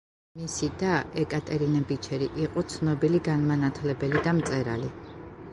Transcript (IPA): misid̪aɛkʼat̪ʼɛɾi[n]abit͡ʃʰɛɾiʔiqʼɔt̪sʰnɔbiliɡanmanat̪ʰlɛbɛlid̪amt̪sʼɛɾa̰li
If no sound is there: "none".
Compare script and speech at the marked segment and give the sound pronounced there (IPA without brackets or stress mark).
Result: n